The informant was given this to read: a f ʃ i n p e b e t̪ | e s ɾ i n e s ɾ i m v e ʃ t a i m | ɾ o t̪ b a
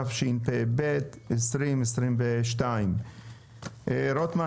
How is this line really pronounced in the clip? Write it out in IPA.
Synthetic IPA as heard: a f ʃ i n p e b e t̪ | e s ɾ i m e s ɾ i m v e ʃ t a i m | ɾ o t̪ m a